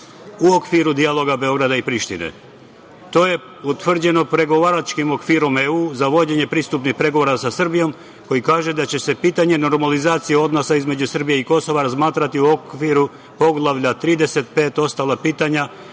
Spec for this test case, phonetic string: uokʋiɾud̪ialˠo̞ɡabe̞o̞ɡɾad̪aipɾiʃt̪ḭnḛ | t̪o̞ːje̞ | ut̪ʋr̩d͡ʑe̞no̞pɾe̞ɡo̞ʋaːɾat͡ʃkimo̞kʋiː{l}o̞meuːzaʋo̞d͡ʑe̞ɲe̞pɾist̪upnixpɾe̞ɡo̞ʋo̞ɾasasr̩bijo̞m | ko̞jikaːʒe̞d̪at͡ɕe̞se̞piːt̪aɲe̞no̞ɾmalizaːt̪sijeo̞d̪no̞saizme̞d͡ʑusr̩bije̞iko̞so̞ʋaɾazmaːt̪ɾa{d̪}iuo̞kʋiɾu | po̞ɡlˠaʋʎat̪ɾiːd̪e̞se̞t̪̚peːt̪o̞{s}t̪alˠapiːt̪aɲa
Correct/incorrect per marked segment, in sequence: incorrect: ɾ, incorrect: t̪, correct

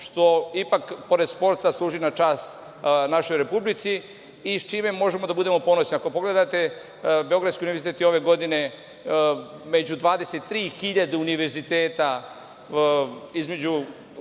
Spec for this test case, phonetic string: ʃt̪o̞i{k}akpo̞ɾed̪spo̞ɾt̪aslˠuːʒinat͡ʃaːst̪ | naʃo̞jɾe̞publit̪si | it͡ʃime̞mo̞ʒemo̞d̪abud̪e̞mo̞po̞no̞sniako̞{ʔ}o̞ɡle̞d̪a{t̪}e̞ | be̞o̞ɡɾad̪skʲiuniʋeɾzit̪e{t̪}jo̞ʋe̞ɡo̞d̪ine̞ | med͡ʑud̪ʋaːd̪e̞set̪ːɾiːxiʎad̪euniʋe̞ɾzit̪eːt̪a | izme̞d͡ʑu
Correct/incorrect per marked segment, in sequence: incorrect: p, incorrect: p, correct, correct

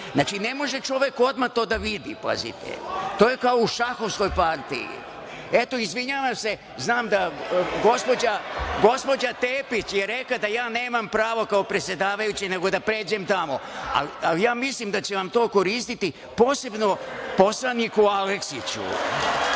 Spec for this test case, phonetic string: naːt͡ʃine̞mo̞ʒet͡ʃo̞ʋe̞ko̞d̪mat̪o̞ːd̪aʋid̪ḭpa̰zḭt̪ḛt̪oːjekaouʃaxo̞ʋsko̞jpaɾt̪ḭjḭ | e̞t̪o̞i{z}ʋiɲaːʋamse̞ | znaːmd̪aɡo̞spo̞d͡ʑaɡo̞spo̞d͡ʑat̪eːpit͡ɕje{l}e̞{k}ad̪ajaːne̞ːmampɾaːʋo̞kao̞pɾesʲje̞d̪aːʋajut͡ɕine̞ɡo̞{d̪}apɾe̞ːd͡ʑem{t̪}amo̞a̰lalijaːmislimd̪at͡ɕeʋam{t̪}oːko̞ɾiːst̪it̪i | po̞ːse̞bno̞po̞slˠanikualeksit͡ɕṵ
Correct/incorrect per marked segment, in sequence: correct, incorrect: ɾ, correct, correct, correct, correct

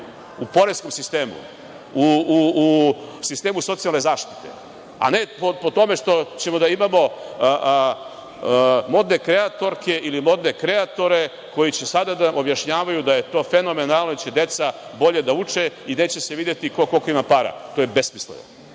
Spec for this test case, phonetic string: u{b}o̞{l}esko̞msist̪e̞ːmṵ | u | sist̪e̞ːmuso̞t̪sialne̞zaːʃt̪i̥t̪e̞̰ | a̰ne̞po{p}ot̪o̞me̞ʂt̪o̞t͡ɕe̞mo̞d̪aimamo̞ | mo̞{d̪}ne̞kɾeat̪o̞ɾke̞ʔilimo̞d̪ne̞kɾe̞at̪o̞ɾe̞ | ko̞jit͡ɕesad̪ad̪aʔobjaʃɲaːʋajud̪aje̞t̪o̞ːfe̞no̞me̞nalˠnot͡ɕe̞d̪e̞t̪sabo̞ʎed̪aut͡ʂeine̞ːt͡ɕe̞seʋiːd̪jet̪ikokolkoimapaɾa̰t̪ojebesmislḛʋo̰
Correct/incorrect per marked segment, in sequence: incorrect: p, incorrect: ɾ, correct, correct

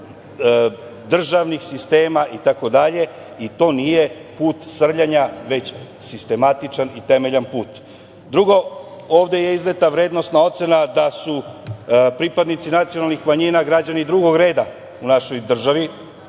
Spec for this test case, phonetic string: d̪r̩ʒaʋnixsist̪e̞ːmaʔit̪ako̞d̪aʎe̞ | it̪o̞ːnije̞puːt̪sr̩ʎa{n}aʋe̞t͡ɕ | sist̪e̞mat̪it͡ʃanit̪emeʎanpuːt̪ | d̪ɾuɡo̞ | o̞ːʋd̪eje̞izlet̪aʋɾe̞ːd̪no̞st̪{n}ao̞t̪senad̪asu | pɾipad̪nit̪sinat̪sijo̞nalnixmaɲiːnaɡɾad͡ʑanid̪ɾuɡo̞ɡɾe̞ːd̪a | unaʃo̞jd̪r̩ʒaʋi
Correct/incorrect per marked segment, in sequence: incorrect: ɲ, correct

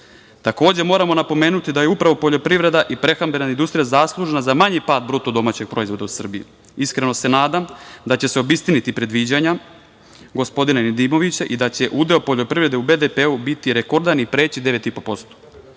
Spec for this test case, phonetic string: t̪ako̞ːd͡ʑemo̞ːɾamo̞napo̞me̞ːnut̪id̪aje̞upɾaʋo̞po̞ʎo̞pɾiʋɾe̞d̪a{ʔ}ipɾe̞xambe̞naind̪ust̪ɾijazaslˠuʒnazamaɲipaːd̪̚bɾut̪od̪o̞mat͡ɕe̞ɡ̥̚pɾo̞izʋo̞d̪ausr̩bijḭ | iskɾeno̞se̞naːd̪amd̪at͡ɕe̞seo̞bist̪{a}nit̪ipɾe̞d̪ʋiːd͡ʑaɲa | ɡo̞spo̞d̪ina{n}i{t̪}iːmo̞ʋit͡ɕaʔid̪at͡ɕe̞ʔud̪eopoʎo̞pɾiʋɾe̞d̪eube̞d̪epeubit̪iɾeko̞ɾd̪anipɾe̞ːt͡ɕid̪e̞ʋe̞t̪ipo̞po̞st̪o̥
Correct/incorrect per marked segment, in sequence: correct, incorrect: i, correct, incorrect: d̪

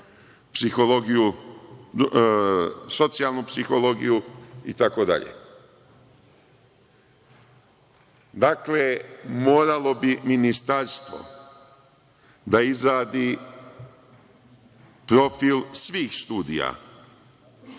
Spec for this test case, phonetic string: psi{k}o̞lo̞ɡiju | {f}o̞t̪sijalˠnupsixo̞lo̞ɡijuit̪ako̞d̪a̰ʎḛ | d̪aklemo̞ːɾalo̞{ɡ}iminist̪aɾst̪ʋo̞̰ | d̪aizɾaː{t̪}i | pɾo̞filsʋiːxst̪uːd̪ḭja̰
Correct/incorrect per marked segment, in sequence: incorrect: x, incorrect: s, incorrect: b, incorrect: d̪

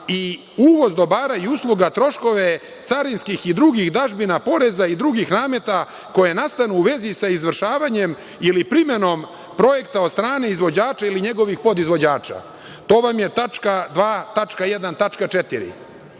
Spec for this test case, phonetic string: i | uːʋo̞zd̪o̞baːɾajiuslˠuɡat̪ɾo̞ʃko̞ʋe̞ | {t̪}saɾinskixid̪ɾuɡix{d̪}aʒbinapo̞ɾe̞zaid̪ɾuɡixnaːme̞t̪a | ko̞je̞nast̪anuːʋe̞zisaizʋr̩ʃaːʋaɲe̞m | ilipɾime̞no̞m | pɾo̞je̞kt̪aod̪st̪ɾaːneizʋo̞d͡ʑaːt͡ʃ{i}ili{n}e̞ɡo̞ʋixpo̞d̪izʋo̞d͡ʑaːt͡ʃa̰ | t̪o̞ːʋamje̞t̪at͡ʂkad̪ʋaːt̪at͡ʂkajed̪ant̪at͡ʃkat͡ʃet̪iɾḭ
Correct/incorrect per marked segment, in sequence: correct, correct, incorrect: a, incorrect: ɲ

